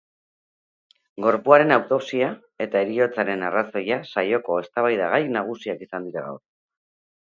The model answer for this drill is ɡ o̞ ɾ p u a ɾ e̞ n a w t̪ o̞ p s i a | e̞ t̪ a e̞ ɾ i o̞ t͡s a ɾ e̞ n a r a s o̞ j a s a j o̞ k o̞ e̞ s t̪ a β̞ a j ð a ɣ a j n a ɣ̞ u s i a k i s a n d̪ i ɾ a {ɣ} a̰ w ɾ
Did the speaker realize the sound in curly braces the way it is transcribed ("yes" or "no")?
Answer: yes